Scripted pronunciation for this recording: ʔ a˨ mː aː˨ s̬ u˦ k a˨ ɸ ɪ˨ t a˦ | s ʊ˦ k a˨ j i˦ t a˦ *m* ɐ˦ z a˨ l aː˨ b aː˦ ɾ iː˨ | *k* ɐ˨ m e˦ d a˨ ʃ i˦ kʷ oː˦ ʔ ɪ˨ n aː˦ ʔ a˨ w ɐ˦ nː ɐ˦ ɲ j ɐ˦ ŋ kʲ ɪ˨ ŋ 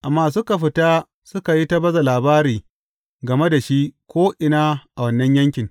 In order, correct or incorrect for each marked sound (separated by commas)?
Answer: incorrect, incorrect